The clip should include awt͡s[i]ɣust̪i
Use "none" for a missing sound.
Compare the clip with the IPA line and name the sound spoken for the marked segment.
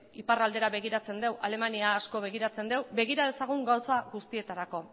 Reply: a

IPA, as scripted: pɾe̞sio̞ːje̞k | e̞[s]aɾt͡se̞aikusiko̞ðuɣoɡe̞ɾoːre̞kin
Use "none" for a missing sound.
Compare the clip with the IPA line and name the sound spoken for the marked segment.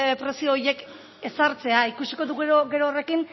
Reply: s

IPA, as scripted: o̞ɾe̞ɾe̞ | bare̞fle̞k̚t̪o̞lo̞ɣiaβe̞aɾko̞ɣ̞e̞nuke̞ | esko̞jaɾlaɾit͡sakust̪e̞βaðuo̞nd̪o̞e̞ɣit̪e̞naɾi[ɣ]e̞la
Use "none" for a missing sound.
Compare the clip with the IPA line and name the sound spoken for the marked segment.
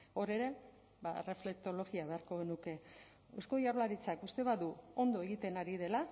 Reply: ð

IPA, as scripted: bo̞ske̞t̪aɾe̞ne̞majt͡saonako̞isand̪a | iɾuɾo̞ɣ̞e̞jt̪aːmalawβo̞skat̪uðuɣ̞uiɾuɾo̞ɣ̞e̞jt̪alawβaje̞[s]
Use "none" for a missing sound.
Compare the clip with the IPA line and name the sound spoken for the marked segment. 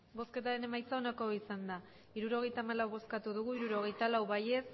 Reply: s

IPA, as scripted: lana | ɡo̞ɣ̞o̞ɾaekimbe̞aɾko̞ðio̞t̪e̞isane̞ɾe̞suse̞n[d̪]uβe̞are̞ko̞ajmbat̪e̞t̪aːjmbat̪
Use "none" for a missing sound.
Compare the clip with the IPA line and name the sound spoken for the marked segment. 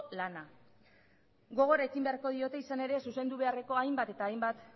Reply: d̪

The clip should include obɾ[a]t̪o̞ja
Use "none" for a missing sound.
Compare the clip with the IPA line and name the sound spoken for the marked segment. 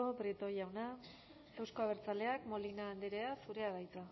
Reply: i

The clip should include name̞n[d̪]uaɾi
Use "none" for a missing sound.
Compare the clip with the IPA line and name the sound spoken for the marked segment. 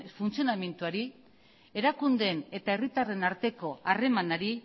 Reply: t̪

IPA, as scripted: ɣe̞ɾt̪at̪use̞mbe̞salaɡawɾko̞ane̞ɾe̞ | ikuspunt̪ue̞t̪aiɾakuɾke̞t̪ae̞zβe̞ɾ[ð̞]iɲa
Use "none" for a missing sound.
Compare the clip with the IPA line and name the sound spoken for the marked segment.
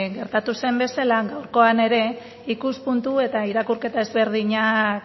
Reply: ð̞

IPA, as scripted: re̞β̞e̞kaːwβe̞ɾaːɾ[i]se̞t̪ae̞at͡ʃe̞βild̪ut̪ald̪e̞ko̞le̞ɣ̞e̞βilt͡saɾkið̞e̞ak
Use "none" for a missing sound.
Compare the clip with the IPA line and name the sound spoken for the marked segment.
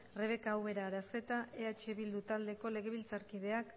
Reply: a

